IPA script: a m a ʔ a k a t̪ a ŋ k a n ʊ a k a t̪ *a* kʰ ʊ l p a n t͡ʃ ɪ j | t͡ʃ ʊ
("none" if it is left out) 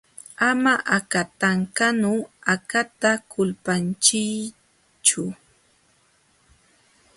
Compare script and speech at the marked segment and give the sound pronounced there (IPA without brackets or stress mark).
a